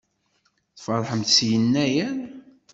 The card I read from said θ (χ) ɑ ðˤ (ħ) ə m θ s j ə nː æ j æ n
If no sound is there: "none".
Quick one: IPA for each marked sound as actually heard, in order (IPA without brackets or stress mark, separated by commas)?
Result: f, ħ